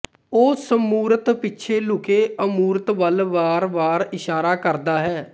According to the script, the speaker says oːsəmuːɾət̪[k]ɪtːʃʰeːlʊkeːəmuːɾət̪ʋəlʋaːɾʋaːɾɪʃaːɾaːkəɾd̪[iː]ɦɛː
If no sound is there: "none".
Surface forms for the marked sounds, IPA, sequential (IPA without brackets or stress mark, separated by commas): p, aː